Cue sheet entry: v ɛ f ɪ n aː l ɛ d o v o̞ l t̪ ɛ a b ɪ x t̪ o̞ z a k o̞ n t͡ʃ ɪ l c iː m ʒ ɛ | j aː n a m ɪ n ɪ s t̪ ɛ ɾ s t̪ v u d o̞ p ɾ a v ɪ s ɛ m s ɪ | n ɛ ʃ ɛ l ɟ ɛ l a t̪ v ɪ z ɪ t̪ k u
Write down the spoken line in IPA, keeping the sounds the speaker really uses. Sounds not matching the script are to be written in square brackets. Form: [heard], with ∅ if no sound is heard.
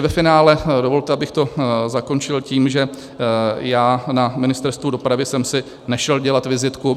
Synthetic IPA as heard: v ɛ f ɪ n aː l ɛ d o v o̞ l t̪ ɛ a b ɪ x t̪ o̞ z a k o̞ n t͡ʃ ɪ l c iː m ʒ ɛ | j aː n a m ɪ n ɪ s t̪ ɛ ɾ s t̪ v u d o̞ p ɾ a v ɪ s ɛ m s ɪ | n ɛ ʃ ɛ l ɟ ɛ l a t̪ v ɪ z ɪ t̪ k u